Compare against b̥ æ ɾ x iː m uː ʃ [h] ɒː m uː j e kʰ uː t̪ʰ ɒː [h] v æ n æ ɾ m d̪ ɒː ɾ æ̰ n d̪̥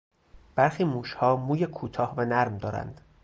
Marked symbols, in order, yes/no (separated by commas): yes, yes